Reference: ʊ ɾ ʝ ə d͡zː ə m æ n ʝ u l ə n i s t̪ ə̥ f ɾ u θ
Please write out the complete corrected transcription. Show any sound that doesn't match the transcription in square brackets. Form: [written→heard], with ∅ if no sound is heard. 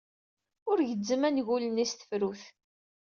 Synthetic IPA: ʊ ɾ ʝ ə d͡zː ə m æ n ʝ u l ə n i s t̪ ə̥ f ɾ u θ